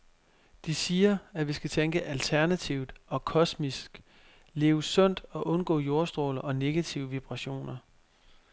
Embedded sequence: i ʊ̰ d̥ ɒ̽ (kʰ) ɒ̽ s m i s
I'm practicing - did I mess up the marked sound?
no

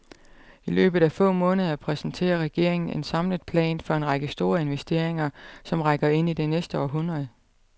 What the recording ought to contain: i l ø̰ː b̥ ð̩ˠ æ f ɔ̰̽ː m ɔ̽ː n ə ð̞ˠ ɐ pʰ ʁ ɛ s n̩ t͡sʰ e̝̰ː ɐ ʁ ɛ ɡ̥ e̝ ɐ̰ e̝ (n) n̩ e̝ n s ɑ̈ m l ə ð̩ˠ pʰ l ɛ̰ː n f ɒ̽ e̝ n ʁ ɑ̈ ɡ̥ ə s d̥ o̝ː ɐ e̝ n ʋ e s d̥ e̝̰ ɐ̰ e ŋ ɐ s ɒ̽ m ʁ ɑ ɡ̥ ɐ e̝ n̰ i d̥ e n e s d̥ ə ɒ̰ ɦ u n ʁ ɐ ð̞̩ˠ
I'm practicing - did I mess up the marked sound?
yes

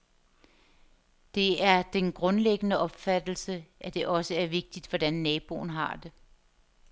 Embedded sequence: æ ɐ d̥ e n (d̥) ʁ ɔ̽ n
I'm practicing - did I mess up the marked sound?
yes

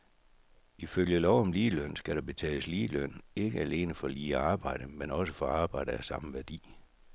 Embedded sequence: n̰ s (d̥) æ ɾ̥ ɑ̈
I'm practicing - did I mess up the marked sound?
yes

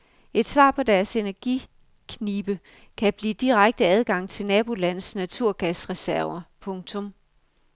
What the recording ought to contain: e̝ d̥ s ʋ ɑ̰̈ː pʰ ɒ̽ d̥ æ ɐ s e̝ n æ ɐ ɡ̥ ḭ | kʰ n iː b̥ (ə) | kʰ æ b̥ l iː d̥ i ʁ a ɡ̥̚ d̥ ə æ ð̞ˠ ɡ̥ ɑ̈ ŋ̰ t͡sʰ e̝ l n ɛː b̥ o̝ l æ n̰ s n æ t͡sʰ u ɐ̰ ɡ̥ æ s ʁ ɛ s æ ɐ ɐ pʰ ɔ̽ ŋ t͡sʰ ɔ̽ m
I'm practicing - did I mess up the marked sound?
no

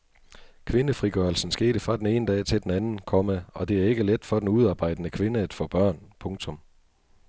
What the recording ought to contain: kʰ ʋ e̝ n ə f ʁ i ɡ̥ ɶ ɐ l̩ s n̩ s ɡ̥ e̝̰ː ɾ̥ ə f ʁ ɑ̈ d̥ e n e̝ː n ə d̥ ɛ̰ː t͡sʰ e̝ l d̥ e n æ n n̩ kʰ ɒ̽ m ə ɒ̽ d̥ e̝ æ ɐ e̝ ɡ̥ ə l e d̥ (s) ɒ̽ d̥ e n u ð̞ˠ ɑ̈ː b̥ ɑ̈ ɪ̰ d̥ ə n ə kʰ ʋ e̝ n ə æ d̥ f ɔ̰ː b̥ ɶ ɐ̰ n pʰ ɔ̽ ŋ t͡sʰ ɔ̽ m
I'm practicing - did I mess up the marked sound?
yes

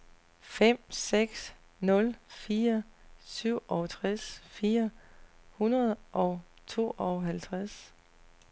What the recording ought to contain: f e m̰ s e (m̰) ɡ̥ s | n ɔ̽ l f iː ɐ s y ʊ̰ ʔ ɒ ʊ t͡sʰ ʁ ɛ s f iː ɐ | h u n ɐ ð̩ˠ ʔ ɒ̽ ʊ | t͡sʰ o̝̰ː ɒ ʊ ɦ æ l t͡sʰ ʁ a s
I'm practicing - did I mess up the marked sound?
yes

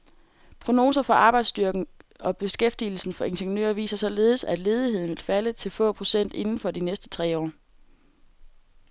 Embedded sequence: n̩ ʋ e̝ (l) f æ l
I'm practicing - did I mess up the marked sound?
no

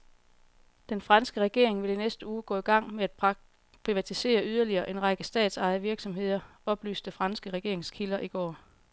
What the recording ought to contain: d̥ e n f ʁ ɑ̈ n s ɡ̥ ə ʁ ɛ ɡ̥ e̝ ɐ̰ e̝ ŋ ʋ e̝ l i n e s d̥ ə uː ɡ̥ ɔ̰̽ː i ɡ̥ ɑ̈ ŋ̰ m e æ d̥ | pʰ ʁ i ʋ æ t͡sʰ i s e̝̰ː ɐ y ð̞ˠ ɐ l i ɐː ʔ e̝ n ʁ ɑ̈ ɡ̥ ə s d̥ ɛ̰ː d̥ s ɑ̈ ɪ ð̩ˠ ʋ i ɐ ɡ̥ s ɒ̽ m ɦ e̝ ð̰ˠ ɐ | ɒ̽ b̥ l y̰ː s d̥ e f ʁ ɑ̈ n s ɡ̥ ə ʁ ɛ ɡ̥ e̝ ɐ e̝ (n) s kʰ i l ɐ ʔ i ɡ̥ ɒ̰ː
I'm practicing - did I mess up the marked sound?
yes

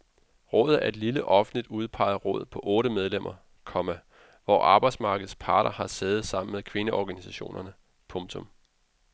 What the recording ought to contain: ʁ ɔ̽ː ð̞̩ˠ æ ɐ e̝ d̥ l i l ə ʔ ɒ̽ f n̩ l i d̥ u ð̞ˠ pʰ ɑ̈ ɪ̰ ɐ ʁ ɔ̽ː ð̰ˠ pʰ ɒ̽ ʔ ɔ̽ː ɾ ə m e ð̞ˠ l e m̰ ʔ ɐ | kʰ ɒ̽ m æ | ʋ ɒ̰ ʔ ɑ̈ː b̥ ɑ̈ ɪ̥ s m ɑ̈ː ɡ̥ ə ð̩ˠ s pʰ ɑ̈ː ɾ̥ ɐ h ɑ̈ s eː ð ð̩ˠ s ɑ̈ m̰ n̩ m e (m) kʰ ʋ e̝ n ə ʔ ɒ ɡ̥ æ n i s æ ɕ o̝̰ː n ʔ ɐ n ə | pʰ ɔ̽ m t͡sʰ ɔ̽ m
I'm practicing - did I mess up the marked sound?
yes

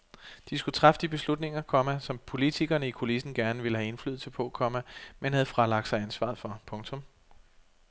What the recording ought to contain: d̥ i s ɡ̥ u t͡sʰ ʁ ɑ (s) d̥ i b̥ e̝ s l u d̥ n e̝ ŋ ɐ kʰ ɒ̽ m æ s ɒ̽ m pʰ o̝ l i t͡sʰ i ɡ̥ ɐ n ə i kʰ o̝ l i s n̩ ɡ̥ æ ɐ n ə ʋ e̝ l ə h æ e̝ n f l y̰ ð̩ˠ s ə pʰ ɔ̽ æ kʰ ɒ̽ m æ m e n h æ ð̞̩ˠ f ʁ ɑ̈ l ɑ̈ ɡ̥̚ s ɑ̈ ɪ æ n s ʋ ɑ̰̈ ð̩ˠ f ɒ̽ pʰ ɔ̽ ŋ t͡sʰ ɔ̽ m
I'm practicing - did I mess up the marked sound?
yes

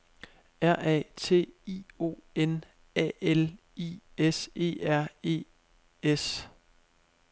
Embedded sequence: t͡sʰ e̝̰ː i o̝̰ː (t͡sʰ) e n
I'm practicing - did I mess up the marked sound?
yes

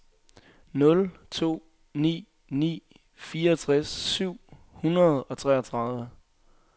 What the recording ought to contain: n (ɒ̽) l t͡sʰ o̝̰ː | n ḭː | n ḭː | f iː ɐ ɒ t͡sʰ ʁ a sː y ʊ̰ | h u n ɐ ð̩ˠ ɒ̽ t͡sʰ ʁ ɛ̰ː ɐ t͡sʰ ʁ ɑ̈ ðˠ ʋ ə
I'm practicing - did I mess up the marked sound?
yes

